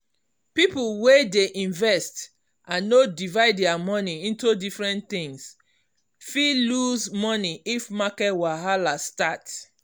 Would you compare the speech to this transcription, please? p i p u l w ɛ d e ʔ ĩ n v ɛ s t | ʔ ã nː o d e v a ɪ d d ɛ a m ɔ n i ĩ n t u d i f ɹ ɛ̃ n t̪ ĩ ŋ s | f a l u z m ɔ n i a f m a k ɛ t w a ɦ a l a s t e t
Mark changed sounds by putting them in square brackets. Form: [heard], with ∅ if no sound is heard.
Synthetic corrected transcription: p i p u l w [e] d e ʔ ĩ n v ɛ s t | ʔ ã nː o d [i] v a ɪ d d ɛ a m ɔ n i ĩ n t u d i f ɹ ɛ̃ n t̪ ĩ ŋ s | f [i] l u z m ɔ n i [i] f m a k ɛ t w a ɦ a l a s t [a] t